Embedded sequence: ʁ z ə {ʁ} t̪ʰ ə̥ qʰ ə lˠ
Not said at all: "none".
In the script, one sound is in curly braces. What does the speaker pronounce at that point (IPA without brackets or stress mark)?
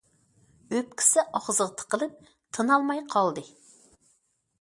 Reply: ʁ